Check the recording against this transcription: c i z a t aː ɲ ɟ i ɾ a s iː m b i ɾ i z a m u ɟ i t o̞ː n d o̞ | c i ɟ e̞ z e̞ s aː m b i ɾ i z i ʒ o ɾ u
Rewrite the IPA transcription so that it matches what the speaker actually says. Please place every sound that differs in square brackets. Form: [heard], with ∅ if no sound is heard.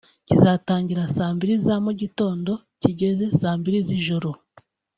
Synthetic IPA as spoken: c i z a t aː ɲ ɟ i ɾ a s [aː] m b i ɾ i z a m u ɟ i t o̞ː n d o̞ | c i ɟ e̞ z e̞ s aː m b i ɾ i z i ʒ o ɾ [o]

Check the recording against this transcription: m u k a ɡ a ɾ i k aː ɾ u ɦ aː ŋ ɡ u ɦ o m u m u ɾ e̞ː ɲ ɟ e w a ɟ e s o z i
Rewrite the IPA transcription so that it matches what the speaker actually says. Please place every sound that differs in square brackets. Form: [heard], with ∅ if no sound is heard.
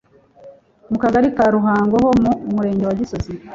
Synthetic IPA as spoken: m u k a ɡ a ɾ i k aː ɾ u ɦ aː ŋ ɡ [o] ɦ o m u m u ɾ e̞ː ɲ ɟ e w a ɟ [i] s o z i

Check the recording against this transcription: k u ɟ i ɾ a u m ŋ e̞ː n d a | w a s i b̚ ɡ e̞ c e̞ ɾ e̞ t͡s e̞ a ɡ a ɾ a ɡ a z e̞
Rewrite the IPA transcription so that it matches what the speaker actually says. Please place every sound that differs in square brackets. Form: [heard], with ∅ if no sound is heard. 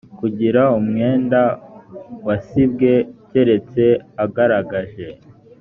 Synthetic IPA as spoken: k u ɟ i ɾ a u m ŋ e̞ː n d a | w a s i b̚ ɡ e̞ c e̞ ɾ e̞ t͡s e̞ a ɡ a ɾ a ɡ a [ʒ] e̞

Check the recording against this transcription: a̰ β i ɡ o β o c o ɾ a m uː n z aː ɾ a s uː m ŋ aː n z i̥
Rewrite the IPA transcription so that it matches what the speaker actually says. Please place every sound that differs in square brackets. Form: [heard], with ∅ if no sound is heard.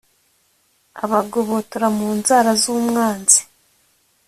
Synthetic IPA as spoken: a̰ β [a] ɡ o β o [t] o ɾ a m uː n z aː ɾ a [z] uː m ŋ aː n z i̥

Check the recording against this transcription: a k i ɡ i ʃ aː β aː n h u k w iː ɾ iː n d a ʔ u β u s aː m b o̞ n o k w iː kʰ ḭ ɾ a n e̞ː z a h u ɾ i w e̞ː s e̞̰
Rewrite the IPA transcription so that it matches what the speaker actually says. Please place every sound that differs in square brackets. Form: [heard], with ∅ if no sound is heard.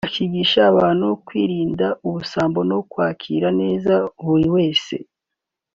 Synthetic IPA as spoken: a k i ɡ i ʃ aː β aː n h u k w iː ɾ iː n d a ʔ u β u s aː m b o̞ n o k w [aː] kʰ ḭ ɾ a n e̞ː z a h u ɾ i w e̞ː s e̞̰

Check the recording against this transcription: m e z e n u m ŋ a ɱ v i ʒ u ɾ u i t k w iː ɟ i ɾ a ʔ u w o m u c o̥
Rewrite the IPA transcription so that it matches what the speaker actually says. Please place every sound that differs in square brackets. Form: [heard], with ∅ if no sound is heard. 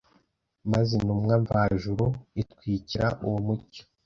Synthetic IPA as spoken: m [a] z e n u m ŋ a ɱ v [a] ʒ u ɾ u i t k w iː [c] i ɾ a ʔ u w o m u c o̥

